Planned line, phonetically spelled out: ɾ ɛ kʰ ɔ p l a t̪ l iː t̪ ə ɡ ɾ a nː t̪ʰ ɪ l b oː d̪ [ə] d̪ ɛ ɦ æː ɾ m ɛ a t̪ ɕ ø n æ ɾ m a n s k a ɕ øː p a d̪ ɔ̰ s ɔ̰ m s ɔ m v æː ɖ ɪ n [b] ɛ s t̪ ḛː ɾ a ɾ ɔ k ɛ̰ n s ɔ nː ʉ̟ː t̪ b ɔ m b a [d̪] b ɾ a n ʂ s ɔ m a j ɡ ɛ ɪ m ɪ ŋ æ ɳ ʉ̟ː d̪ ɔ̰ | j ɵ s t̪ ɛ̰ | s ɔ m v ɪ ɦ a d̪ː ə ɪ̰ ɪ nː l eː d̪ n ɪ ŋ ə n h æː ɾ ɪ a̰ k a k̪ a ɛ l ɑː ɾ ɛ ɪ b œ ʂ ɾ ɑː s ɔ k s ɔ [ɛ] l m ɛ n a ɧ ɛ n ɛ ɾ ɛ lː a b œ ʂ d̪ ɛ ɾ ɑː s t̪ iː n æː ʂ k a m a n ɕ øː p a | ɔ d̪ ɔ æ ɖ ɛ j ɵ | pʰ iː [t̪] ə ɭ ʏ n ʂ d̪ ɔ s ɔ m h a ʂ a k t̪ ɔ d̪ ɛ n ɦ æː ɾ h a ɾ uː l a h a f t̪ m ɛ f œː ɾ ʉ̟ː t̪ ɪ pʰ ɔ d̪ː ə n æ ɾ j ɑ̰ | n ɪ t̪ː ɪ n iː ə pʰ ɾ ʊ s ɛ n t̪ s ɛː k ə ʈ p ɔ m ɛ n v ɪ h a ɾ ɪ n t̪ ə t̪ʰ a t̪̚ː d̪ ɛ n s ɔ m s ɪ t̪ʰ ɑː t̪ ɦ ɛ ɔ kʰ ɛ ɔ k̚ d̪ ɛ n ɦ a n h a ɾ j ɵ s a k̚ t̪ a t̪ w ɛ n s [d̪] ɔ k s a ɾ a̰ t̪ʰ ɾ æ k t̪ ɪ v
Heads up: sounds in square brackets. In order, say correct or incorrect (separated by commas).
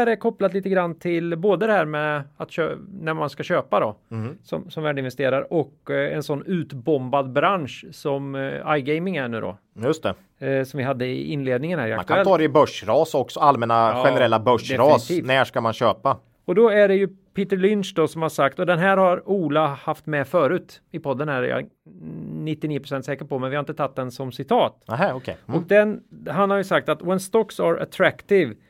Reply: correct, incorrect, correct, incorrect, correct, incorrect